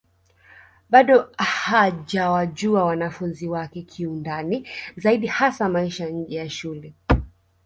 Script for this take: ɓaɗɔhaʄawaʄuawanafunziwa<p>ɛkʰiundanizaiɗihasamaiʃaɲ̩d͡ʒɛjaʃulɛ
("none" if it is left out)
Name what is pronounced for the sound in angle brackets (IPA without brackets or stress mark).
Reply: k